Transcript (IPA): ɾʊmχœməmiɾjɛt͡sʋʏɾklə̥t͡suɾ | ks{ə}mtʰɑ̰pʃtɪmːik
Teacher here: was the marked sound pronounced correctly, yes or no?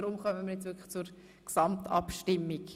no